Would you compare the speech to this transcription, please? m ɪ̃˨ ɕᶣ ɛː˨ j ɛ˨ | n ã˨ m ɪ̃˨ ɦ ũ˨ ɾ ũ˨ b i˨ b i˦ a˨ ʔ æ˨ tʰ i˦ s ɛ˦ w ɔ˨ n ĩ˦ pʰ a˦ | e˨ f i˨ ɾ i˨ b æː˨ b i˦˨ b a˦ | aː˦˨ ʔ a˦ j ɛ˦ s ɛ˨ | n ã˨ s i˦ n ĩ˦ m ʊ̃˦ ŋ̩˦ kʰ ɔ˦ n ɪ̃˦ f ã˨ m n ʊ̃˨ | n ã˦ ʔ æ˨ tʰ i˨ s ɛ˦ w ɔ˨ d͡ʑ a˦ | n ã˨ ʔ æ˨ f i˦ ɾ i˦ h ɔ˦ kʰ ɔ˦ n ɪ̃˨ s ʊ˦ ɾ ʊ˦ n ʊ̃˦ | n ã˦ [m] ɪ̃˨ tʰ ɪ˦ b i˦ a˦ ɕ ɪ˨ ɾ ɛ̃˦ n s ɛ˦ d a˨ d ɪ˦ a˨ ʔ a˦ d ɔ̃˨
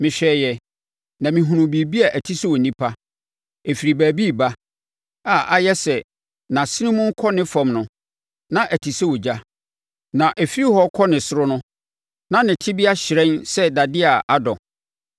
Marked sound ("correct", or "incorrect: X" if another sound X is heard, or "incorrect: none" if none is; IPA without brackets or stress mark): incorrect: n